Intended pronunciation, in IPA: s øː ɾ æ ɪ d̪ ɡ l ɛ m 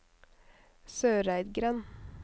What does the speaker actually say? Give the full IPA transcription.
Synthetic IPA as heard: s øː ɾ æ ɪ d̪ ɡ ɾ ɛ n